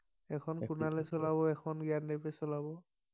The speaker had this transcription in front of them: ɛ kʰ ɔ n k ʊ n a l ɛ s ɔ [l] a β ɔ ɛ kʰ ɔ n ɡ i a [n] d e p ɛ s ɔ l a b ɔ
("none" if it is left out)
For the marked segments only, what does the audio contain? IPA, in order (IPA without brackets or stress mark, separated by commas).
l, n